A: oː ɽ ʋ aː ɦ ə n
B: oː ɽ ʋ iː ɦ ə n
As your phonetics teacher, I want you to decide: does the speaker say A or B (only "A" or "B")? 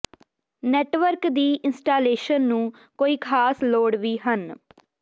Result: B